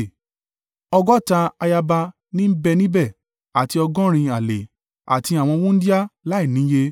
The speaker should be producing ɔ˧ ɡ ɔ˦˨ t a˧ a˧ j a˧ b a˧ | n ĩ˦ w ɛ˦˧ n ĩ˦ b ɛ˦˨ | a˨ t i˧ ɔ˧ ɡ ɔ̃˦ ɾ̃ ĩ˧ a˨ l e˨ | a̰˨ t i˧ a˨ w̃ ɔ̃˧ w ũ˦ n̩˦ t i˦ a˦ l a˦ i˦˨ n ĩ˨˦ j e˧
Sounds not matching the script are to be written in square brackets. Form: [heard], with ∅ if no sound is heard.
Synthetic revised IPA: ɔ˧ ɡ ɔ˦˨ t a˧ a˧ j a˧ b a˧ | n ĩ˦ [b] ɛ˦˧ n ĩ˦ b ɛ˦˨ | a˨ t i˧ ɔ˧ ɡ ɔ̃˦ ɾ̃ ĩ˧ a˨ l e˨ | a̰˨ t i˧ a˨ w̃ ɔ̃˧ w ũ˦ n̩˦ [d] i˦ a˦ l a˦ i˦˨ n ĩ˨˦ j e˧

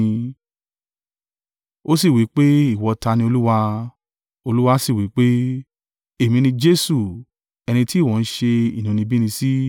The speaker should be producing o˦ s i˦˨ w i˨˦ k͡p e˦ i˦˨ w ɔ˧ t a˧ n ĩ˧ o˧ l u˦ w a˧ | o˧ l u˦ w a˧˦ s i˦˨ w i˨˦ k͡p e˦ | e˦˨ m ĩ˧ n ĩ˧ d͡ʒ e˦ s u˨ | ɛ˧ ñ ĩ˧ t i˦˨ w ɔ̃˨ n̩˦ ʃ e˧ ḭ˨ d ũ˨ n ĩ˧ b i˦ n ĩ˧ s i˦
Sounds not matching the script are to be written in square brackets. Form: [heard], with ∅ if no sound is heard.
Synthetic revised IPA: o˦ s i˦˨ w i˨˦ k͡p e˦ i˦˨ w ɔ˧ t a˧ n ĩ˧ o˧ l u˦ w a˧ | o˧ l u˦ w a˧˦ s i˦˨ w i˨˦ k͡p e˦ | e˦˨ m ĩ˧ n ĩ˧ d͡ʒ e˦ s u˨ | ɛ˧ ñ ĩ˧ t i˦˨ w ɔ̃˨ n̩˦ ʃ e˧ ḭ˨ [n] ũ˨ n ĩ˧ b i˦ n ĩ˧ s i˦

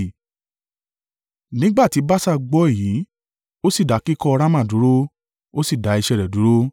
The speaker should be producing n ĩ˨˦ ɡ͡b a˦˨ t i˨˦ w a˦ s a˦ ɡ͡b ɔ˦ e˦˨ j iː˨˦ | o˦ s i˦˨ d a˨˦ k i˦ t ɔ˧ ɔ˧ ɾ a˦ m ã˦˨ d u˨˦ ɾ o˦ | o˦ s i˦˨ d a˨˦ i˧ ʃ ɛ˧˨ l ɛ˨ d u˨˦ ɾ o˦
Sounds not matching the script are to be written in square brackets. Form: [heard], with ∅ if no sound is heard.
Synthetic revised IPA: n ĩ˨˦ ɡ͡b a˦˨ t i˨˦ [b] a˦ s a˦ ɡ͡b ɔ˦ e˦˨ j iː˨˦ | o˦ s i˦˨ d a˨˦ k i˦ [k] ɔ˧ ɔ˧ ɾ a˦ m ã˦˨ d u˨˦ ɾ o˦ | o˦ s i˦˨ d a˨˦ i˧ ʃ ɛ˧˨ [ɾ] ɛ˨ d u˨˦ ɾ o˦

